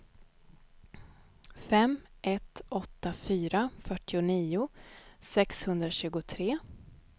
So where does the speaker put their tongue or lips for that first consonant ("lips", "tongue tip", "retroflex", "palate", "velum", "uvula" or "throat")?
lips